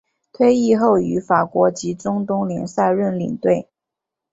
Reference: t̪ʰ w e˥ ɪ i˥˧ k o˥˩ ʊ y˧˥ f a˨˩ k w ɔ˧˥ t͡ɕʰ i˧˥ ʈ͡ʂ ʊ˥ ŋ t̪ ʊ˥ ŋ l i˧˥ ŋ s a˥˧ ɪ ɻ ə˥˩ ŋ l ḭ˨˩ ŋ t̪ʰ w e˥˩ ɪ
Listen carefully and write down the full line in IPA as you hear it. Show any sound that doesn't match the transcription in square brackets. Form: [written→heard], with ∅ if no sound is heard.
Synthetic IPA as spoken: t̪ʰ w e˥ ɪ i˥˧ [k→x] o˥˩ ʊ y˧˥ f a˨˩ k w ɔ˧˥ [t͡ɕʰ→t͡ɕ] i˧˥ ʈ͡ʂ ʊ˥ ŋ t̪ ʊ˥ ŋ l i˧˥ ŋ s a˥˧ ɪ ɻ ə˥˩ [ŋ→n] l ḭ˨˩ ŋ [t̪ʰ→t̪] w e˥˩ ɪ